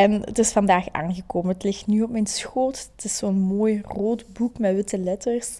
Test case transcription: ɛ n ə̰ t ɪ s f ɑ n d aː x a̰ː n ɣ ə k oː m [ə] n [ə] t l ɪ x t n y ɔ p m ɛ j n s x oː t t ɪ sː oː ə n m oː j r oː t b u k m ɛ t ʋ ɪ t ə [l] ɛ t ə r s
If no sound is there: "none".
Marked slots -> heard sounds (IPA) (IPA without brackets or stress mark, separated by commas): ə, ə, l